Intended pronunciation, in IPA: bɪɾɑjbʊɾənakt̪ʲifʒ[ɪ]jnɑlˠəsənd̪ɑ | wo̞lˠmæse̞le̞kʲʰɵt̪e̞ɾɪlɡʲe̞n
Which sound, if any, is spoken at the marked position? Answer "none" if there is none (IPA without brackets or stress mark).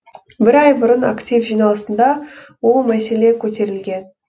i